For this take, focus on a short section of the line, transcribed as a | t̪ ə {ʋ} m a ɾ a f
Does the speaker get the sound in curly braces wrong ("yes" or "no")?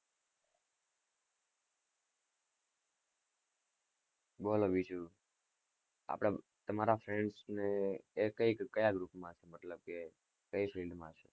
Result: yes